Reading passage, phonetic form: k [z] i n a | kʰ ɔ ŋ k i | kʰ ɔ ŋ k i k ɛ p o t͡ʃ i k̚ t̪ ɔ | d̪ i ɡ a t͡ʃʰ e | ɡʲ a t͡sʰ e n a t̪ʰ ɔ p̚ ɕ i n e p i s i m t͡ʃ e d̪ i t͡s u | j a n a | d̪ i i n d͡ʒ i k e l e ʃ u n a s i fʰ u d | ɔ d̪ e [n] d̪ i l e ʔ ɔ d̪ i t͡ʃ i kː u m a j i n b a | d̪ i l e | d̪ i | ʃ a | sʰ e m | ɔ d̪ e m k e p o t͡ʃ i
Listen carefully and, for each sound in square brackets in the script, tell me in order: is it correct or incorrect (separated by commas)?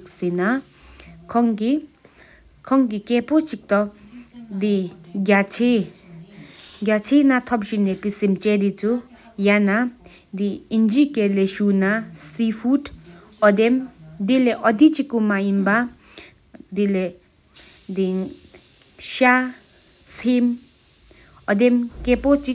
incorrect, incorrect